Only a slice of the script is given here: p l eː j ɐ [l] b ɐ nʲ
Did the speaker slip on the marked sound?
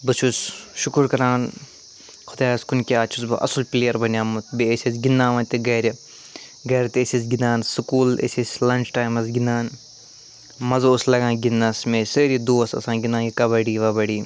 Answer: yes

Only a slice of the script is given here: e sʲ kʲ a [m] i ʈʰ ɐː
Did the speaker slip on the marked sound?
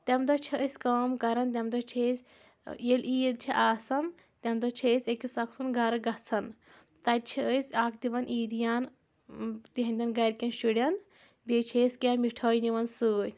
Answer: no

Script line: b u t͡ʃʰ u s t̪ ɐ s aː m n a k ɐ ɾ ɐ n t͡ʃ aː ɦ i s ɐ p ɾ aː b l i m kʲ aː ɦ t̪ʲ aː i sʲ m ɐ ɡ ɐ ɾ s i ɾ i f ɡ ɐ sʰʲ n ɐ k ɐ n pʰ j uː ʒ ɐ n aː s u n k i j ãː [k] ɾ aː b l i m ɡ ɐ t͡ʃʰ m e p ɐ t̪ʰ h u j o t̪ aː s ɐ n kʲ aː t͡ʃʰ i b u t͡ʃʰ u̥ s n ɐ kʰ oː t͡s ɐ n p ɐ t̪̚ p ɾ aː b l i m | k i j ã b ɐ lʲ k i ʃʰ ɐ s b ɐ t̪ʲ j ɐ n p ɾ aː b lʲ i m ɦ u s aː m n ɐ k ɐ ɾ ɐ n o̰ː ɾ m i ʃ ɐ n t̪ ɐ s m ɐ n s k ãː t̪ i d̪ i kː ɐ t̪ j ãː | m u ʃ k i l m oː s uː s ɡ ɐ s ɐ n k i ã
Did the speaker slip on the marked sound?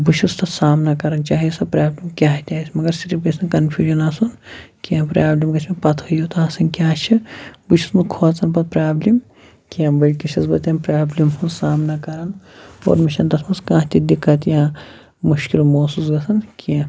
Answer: yes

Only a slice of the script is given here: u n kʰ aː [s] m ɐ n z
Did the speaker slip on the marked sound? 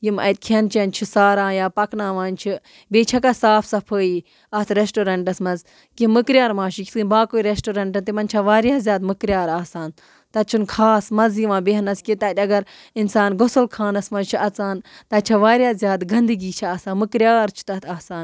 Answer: no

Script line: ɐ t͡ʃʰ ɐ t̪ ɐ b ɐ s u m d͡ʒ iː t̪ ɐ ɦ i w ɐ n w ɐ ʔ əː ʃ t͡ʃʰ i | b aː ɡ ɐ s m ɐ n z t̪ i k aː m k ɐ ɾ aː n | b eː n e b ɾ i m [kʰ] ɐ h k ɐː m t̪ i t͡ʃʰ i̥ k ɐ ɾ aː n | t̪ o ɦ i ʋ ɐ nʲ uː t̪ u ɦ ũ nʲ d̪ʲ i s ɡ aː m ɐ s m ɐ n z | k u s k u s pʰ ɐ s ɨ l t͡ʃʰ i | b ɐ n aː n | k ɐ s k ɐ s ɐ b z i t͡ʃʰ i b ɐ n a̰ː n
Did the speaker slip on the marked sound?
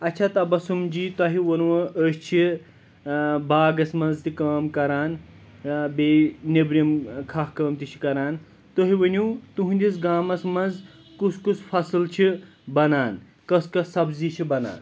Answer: no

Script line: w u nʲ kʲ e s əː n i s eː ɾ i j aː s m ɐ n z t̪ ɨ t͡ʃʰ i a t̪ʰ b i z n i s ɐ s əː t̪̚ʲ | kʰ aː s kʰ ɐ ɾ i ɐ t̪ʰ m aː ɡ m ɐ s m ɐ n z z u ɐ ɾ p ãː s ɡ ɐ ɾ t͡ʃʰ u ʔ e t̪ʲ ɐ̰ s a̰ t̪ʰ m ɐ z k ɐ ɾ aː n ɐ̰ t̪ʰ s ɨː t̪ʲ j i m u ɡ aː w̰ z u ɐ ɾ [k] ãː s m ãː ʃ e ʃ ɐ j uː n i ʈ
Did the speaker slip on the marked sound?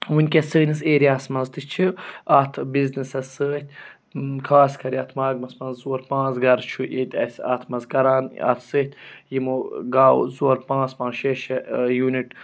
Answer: yes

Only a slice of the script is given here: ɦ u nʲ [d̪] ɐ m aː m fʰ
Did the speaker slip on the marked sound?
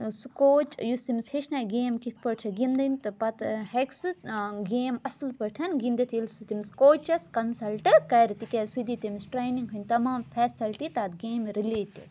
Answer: yes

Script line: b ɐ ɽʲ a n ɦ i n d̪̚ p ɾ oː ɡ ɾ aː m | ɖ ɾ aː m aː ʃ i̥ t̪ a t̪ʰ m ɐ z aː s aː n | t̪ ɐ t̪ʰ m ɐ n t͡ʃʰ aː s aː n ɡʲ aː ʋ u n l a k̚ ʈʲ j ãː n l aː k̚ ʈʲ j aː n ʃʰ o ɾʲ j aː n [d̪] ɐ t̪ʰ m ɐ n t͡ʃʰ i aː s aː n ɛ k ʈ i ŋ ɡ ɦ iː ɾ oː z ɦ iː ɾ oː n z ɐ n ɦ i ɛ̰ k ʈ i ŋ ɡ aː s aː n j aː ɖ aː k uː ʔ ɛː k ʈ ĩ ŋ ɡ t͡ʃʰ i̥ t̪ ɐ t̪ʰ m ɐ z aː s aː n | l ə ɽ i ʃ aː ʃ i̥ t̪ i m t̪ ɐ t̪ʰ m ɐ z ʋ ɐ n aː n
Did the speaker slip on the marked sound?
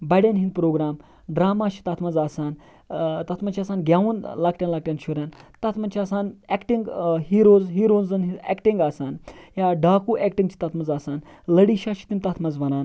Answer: yes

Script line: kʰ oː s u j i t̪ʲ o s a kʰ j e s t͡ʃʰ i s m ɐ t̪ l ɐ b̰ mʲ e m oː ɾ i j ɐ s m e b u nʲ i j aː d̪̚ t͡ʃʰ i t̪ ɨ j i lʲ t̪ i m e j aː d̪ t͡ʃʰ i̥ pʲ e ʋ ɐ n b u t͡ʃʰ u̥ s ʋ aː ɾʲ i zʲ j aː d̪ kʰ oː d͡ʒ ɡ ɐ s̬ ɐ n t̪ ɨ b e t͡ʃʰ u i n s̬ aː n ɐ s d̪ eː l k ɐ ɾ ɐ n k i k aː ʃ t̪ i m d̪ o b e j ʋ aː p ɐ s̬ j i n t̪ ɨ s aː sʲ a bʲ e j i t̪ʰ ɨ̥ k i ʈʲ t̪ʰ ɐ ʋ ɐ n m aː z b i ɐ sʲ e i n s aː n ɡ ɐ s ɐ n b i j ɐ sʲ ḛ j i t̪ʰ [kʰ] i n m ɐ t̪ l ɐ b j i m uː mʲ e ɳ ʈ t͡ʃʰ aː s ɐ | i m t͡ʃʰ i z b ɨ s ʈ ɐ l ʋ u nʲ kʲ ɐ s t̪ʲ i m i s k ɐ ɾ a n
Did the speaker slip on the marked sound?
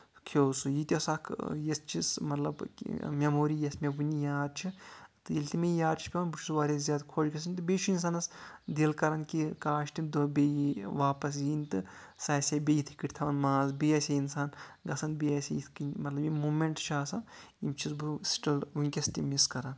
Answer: yes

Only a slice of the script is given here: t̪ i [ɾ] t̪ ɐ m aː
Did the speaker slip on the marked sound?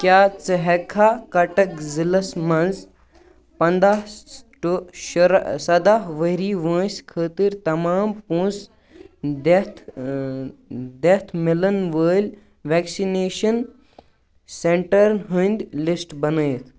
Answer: no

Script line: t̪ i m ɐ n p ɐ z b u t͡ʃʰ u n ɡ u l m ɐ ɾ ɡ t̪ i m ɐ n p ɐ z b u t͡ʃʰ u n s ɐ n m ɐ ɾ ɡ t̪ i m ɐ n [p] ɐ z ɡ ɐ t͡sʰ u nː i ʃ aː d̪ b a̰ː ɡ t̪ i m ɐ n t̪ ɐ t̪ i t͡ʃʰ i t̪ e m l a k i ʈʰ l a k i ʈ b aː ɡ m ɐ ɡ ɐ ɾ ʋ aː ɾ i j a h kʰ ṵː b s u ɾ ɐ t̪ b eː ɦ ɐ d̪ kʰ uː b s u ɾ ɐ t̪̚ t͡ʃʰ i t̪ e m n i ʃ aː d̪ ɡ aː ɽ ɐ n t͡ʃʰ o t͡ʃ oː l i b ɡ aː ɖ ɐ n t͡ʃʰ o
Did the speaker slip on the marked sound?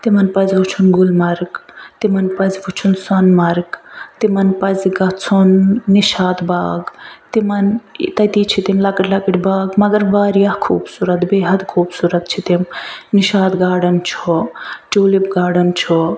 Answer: no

